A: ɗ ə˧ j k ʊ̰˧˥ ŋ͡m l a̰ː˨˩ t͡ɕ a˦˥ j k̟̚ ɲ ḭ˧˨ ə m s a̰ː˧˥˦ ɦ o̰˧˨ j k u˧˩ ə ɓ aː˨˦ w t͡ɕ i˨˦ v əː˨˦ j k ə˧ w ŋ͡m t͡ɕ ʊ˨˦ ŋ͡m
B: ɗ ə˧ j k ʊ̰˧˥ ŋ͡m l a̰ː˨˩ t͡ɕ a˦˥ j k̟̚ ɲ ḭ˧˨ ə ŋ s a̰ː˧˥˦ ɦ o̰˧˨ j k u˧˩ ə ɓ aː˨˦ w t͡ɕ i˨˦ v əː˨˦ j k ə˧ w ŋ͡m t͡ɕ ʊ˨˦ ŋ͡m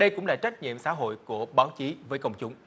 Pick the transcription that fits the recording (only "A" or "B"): A